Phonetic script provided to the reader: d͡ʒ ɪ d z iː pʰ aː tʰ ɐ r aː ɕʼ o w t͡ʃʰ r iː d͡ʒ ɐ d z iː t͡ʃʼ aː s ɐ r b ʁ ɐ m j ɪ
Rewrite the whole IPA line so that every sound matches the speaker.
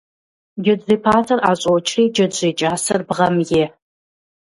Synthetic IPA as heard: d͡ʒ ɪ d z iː pʰ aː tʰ ɐ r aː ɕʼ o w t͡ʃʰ r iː d͡ʒ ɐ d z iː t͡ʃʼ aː s ɐ r b ʁ ɐ m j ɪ